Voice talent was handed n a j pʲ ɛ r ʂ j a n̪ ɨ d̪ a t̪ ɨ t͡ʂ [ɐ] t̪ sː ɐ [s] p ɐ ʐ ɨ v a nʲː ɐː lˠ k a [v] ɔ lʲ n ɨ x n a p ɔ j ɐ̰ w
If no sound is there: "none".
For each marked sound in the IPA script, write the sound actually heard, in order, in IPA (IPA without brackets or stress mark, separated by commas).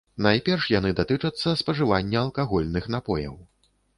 ɐ, s, ɣ